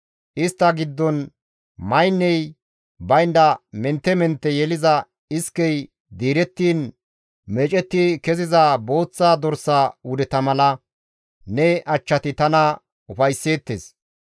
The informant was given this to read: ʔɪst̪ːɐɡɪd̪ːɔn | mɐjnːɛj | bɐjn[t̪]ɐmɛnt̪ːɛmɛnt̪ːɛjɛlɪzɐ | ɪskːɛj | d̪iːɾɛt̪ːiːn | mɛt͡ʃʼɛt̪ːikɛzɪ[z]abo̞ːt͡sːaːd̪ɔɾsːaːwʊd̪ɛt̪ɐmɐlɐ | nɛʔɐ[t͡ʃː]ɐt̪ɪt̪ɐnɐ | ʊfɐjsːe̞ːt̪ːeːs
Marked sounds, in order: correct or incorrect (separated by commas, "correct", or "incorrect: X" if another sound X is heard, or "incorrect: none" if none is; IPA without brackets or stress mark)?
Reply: incorrect: d̪, correct, correct